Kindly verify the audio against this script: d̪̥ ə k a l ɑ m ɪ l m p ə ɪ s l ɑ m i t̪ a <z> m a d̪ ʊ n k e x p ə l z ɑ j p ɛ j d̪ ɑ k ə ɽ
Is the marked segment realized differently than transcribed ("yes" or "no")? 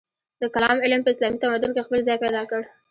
yes